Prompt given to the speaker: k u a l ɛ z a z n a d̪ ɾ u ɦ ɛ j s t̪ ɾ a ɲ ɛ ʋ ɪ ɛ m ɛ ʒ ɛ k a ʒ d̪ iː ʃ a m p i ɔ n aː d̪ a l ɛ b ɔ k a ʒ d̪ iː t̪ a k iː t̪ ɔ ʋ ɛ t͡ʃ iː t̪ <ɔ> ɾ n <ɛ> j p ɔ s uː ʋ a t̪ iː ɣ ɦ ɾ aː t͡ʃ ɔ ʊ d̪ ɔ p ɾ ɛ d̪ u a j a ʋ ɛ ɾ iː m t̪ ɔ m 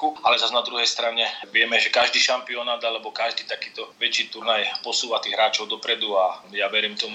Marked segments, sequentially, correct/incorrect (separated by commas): incorrect, incorrect